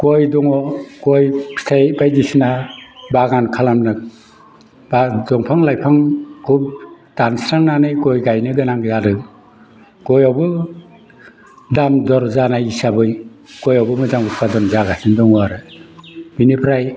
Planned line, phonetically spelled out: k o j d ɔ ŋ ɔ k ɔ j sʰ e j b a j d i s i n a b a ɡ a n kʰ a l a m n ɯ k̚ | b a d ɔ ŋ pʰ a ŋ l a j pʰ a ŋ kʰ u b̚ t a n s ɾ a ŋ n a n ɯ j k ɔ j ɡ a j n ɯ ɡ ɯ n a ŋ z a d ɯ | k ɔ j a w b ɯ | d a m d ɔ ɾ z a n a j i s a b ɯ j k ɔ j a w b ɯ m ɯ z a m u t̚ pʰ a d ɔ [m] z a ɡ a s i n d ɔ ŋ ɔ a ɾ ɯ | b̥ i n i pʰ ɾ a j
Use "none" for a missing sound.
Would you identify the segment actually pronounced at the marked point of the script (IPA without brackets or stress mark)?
n